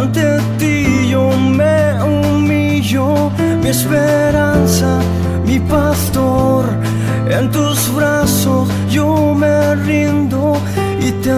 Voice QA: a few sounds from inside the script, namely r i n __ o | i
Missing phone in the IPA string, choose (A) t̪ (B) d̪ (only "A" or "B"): B